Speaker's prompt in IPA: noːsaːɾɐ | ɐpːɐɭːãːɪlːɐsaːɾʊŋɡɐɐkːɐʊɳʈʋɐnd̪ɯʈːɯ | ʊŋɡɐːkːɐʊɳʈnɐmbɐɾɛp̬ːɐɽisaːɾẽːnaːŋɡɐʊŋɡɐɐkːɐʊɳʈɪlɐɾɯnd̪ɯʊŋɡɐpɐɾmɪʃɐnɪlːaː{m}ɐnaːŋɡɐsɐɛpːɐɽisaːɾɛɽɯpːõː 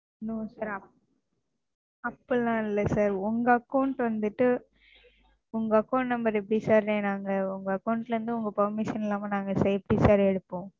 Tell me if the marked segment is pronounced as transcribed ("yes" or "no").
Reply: yes